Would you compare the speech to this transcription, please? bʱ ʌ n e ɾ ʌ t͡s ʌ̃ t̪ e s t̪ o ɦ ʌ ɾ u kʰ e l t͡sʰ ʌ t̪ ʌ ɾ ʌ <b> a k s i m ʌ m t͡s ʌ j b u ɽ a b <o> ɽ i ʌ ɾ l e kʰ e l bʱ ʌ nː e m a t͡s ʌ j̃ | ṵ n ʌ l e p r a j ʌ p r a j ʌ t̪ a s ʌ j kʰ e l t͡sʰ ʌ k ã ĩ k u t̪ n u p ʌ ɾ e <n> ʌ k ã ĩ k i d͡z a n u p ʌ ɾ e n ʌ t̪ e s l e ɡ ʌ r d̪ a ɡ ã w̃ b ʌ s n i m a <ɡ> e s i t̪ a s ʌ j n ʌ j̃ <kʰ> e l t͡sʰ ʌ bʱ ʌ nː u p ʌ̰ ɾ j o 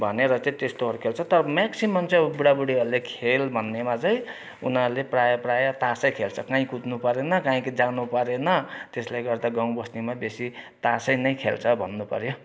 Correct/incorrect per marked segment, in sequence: incorrect: m, incorrect: u, correct, incorrect: b, correct

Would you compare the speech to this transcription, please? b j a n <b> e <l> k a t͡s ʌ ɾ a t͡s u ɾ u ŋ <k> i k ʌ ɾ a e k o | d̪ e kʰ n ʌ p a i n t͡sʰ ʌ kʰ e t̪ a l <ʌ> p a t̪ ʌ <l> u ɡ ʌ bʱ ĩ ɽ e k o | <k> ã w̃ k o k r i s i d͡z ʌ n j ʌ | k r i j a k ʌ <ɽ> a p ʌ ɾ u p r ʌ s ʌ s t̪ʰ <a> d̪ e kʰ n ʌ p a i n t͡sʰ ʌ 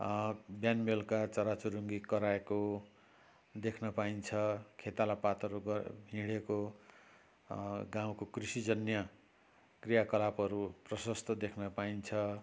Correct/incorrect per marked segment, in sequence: incorrect: m, correct, incorrect: ɡ, incorrect: a, incorrect: ɾ, incorrect: ɡ, incorrect: l, incorrect: ʌ

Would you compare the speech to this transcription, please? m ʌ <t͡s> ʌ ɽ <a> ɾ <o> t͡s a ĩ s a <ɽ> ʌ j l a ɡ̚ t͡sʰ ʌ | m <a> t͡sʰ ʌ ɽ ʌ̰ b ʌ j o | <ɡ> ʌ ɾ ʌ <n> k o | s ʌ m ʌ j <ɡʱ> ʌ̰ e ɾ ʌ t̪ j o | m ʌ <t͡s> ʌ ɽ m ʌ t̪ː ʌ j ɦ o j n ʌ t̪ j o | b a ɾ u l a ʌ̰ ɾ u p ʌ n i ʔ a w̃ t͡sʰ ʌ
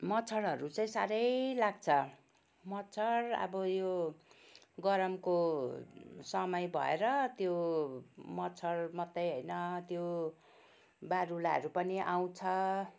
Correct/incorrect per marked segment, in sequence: incorrect: t͡sʰ, incorrect: ʌ, incorrect: u, incorrect: ɾ, incorrect: ʌ, correct, incorrect: m, incorrect: bʱ, incorrect: t͡sʰ

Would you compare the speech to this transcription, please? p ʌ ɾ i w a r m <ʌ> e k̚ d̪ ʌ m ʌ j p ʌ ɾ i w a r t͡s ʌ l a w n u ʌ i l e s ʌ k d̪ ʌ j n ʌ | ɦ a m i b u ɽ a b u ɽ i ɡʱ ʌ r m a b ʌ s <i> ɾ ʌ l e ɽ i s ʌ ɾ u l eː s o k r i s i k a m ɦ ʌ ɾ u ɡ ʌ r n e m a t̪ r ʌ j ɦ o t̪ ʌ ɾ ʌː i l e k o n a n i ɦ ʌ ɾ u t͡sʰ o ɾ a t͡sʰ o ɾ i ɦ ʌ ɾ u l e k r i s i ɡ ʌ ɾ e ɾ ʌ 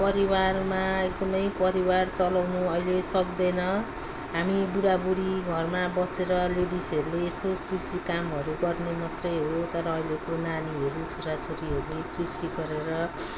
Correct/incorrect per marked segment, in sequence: incorrect: a, incorrect: e

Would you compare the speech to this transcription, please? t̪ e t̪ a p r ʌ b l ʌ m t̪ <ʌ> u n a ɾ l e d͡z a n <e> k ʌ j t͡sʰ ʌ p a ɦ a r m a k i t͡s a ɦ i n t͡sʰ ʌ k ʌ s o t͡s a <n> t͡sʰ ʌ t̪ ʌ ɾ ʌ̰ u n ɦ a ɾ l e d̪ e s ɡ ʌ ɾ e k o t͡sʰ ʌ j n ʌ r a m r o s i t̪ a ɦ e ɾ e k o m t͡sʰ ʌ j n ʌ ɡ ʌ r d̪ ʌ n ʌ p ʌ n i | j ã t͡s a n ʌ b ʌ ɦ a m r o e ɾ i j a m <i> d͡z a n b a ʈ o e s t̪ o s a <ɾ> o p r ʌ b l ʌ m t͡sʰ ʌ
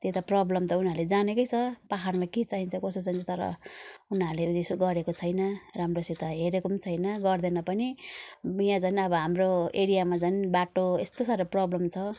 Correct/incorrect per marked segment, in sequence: correct, correct, correct, incorrect: a, correct

